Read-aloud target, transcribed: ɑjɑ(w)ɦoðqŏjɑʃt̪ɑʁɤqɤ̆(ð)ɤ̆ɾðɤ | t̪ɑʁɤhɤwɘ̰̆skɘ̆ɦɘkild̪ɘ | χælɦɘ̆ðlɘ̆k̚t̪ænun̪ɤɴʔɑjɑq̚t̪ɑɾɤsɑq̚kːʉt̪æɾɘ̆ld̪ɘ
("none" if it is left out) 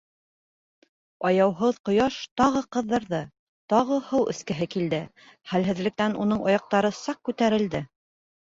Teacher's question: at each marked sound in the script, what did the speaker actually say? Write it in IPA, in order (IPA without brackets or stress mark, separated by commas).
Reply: w, ðː